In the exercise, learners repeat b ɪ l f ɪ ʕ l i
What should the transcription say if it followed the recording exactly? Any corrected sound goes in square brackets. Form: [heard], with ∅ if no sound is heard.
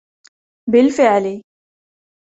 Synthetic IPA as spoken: b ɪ l f ɪ ʕ l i